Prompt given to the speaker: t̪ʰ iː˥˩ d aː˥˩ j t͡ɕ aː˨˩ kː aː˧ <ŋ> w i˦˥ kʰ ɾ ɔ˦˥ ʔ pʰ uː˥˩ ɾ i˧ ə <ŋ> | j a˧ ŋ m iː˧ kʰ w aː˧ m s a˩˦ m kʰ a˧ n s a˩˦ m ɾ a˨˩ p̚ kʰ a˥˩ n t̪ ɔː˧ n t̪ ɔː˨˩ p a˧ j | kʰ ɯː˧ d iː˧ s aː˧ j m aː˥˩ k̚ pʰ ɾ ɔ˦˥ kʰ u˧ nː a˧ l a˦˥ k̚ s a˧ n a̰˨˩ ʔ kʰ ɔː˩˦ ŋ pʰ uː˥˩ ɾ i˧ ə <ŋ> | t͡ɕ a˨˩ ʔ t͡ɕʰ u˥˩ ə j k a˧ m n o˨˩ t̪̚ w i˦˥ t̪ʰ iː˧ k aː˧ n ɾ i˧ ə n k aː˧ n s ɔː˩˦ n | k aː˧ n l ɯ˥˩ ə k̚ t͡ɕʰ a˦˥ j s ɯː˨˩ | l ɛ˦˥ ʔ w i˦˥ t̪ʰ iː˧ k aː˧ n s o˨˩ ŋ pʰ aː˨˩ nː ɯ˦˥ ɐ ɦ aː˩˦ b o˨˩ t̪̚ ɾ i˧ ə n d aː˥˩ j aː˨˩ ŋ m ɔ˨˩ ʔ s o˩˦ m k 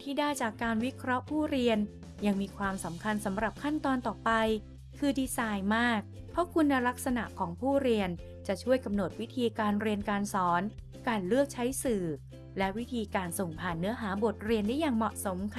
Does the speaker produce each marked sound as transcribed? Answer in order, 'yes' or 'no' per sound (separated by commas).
no, no, no